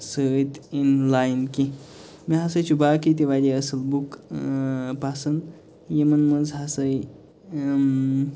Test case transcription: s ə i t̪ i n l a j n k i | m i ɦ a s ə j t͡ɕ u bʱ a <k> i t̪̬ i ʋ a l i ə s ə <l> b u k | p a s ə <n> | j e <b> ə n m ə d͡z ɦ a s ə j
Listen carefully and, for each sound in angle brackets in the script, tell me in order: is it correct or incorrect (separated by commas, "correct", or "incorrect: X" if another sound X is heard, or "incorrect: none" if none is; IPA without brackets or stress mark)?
correct, correct, correct, incorrect: m